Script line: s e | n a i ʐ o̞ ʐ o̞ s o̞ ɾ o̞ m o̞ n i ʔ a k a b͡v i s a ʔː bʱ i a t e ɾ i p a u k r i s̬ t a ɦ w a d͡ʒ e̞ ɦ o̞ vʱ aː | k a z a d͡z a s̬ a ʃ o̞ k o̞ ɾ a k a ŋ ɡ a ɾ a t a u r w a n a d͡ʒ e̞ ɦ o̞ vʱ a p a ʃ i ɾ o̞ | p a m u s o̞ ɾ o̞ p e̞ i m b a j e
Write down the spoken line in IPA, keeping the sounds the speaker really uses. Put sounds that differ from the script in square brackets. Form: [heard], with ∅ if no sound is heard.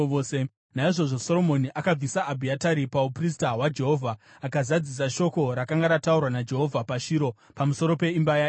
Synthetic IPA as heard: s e | n a i ʐ o̞ ʐ o̞ s o̞ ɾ o̞ m o̞ n i ʔ a k a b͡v i s a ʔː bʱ i a t [a] ɾ i p a u [p] r i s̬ t a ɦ w a d͡ʒ e̞ ɦ o̞ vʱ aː | k a z a d͡z [i] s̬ a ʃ o̞ k o̞ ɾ a k a ŋ ɡ a ɾ a t a u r w a n a d͡ʒ e̞ ɦ o̞ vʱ a p a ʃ i ɾ o̞ | p a m u s o̞ ɾ o̞ p e̞ i m b a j [a]

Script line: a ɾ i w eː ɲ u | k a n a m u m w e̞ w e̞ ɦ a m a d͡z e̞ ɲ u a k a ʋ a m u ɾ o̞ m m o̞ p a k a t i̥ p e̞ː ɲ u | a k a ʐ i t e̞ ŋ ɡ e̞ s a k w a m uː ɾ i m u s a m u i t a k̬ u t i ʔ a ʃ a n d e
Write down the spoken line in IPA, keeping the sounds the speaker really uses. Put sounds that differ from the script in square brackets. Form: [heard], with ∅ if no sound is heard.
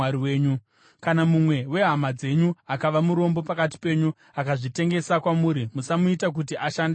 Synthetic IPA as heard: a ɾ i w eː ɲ u | k a n a m u m w e̞ w e̞ ɦ a m a d͡z e̞ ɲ u a k a ʋ a m u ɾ o̞ m [b] o̞ p a k a t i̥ p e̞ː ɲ u | a k a ʐ i t e̞ ŋ ɡ e̞ s a k w a m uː ɾ i m u s a m u i t a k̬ u t i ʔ a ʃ a n d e

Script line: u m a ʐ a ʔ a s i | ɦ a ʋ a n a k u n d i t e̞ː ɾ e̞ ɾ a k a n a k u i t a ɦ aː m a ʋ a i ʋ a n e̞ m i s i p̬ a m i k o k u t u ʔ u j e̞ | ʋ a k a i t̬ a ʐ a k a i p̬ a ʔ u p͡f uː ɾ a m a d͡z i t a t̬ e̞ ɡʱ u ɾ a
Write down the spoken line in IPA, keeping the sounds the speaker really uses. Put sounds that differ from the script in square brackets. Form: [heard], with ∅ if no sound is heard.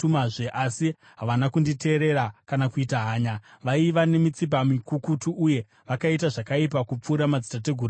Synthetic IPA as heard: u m a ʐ [e] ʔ a s i | ɦ a ʋ a n a k u n d i t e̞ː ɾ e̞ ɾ a k a n a k u i t a ɦ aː [ɲ] a ʋ a i ʋ a n e̞ m i [t͡s] i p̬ a m i k [u] k u t u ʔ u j e̞ | ʋ a k a i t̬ a ʐ a k a i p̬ a [k] u p͡f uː ɾ a m a d͡z i t a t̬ e̞ ɡʱ u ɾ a

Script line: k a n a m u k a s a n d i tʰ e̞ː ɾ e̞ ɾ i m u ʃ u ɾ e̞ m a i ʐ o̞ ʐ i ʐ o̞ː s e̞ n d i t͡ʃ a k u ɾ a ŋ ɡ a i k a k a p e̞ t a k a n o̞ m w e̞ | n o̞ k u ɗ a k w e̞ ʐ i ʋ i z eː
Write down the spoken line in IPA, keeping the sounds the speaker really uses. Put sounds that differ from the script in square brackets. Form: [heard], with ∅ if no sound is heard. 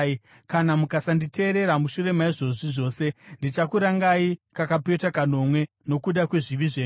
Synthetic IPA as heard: k a n a m u k a s a n d i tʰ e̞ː ɾ e̞ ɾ [a] m u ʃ u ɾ e̞ m a i ʐ o̞ ʐ i ʐ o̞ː s e̞ n d i t͡ʃ a k u ɾ a ŋ ɡ a i k a k a p e̞ t a k a n o̞ m w e̞ | n o̞ k u ɗ a k w e̞ ʐ i ʋ i [ʐ] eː

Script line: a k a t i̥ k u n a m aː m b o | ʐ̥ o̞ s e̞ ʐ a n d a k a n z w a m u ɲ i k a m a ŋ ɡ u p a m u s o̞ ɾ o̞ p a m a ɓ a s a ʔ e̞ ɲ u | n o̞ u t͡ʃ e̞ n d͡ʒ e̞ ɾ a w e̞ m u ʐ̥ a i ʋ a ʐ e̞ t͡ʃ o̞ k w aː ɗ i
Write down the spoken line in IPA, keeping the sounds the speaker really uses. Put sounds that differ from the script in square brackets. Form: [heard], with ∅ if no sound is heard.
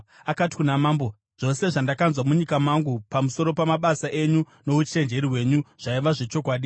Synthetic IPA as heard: a k a t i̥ k u n a m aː m b o | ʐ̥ o̞ s e̞ ʐ a n d a k a n z w a m u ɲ i k a m a ŋ ɡ u p a m u s o̞ ɾ o̞ p a m a ɓ a s a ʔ e̞ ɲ u | n o̞ u t͡ʃ e̞ n d͡ʒ e̞ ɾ [i] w e̞ [ɲ] u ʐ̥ a i ʋ a ʐ e̞ t͡ʃ o̞ k w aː ɗ i

